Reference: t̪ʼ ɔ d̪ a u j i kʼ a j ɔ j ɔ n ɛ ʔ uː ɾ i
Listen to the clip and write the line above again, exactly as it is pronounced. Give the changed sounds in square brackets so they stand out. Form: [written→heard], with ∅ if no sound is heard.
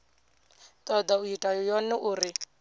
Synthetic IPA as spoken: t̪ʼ ɔ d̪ a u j i [kʼ→tʼ] a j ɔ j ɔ n ɛ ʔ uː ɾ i